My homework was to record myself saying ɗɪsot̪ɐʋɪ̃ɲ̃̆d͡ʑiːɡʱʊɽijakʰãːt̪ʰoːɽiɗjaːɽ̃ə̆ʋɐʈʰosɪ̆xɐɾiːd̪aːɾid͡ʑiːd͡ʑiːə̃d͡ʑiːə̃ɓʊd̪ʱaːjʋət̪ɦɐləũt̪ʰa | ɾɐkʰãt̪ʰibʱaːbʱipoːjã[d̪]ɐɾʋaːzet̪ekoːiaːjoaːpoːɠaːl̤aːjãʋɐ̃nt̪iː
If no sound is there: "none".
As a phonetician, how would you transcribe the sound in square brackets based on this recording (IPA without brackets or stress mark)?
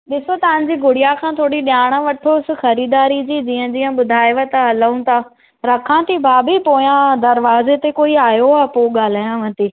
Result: d̪